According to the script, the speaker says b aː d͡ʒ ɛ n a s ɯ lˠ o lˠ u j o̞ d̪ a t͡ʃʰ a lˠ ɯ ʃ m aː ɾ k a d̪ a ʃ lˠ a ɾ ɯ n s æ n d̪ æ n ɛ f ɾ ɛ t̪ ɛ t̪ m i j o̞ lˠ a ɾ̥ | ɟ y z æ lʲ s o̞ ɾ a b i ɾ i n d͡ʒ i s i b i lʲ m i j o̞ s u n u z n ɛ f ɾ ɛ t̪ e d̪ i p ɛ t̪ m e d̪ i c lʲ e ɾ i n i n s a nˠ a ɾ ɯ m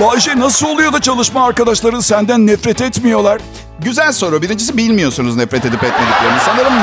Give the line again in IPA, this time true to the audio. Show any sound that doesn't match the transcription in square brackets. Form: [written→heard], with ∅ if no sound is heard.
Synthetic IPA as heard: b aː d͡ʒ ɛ n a s ɯ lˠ o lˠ u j o̞ d̪ a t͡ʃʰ a lˠ ɯ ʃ m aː ɾ k a d̪ a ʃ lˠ a ɾ ɯ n s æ n d̪ æ [n→nː] ɛ f ɾ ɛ t̪ ɛ t̪ m i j o̞ lˠ a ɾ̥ | ɟ y z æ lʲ s o̞ ɾ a b i ɾ i n d͡ʒ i s i b i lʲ m i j o̞ s u n u z n ɛ f ɾ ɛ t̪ e d̪ i p ɛ t̪ m e d̪ i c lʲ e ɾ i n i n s a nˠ a ɾ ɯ m